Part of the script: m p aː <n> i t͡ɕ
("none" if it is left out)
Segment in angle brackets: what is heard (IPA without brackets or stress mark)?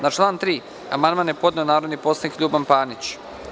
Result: n